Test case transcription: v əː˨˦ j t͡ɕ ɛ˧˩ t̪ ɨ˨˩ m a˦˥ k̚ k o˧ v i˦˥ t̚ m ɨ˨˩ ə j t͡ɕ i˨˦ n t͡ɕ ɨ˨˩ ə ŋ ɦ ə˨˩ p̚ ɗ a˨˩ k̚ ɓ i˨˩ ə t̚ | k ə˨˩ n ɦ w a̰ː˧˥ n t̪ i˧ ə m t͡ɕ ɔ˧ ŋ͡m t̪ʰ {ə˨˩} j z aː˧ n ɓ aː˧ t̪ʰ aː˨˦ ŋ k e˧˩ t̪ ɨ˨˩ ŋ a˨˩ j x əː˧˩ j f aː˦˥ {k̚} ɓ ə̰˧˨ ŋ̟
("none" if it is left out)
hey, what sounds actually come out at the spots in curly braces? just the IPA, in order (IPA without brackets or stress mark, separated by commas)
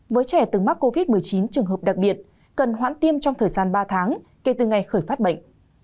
əː˨˩, t̚